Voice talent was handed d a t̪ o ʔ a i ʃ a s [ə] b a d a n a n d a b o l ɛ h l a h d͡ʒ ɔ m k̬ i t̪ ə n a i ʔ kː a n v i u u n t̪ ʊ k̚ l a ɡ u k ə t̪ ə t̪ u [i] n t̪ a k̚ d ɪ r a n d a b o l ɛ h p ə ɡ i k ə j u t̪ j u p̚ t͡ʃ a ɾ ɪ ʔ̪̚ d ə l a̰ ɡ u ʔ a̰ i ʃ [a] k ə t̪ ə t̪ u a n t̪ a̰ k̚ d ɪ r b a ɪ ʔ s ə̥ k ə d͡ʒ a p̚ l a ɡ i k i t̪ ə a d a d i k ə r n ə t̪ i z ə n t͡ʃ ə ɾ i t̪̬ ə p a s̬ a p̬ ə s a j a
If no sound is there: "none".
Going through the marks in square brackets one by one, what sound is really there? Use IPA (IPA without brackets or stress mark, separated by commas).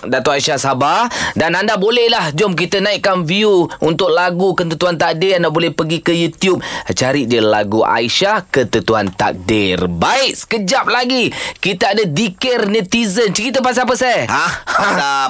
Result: a, a, a